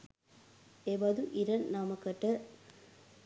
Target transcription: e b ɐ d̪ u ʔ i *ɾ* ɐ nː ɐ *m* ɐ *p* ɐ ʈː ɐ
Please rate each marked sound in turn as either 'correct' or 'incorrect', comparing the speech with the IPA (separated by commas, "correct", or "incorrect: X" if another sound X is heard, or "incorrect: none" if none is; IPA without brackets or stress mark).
correct, correct, incorrect: k